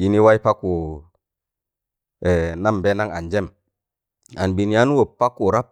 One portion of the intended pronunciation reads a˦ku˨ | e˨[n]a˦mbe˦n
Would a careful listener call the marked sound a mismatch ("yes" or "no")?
no